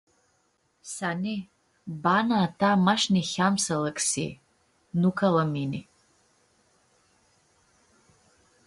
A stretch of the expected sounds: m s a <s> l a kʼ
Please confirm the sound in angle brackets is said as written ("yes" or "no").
no